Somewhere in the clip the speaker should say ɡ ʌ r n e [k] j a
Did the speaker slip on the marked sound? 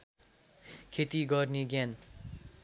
yes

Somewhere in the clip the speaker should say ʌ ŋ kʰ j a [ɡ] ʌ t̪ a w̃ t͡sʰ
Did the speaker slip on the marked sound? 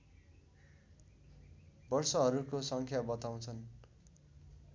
yes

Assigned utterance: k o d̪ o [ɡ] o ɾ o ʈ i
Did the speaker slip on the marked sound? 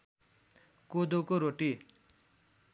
yes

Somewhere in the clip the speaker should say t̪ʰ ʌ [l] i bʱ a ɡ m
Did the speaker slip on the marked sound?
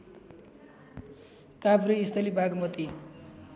no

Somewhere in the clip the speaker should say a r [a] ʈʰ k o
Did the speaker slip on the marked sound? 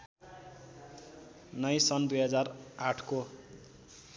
no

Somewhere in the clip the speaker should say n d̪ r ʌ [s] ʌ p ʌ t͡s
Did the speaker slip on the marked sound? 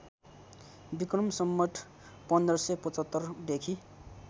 no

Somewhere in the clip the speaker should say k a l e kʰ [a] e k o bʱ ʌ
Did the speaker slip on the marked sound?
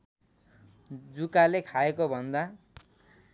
no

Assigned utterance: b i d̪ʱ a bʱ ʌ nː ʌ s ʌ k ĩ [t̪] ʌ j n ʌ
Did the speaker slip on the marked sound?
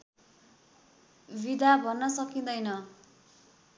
yes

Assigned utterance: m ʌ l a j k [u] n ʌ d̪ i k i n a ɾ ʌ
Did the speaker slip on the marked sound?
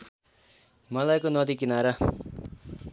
yes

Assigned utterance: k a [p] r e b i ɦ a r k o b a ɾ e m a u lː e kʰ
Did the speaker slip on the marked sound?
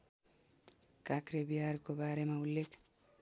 yes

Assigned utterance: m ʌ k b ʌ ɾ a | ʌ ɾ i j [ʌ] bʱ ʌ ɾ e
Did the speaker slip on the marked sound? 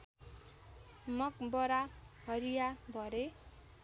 yes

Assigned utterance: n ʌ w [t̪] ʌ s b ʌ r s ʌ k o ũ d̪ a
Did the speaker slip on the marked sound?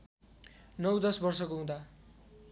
yes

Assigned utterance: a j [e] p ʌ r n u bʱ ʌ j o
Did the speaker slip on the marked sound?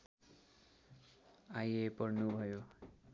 no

